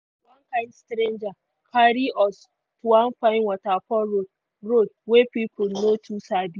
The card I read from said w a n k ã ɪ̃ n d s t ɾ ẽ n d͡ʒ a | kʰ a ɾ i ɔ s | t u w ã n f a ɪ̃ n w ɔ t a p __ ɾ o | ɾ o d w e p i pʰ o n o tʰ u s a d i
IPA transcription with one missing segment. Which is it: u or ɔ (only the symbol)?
ɔ